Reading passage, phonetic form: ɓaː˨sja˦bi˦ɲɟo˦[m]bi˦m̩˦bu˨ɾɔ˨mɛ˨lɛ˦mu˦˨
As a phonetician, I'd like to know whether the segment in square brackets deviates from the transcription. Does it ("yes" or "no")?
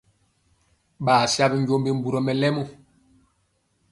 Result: no